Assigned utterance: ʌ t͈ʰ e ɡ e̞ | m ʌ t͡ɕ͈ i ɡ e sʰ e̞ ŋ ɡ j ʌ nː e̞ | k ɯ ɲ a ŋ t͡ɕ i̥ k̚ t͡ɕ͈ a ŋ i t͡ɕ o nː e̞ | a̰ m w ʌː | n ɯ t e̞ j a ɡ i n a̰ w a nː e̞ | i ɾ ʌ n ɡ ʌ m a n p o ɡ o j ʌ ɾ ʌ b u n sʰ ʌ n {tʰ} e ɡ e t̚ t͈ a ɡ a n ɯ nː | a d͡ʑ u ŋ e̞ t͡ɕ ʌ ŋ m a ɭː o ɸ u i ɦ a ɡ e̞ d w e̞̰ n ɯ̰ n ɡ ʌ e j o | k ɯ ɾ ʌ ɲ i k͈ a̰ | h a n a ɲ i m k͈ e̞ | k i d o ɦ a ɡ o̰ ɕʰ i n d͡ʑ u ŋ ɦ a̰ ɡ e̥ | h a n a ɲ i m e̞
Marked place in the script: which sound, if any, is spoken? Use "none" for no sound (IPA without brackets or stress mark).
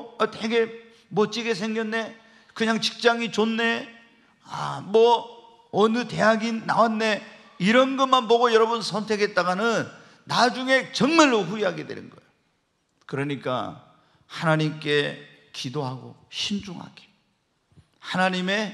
tʰ